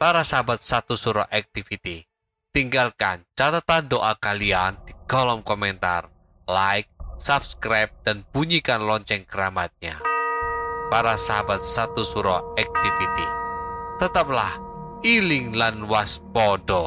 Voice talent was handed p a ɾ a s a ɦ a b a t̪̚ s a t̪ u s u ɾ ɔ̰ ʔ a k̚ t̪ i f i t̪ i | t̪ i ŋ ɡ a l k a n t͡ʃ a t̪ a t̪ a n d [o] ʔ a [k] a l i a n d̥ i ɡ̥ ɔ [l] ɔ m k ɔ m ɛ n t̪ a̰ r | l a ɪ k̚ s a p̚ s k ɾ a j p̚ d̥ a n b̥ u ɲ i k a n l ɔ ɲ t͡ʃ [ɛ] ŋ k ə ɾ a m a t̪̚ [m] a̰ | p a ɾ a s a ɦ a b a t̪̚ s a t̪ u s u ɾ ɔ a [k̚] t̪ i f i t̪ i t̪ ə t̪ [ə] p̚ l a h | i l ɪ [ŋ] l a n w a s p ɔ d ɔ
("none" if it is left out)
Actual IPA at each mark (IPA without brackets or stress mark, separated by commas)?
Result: o, k, l, ɛ, ɲ, k̚, a, ŋ